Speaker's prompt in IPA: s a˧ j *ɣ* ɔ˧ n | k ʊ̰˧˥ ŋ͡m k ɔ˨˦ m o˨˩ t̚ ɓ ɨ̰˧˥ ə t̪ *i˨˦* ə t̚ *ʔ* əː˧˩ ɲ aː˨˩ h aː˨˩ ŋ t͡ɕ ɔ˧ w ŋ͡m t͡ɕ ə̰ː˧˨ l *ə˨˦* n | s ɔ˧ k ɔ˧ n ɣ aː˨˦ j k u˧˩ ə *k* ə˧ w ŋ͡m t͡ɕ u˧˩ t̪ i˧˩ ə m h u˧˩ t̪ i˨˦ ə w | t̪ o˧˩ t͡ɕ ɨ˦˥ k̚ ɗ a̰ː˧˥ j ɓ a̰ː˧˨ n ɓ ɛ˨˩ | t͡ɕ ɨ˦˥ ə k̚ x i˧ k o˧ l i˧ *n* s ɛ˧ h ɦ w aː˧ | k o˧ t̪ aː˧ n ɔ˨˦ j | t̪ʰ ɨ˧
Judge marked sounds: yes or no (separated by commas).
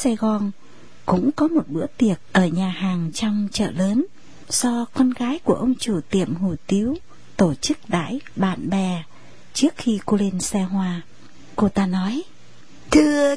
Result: yes, no, yes, no, no, yes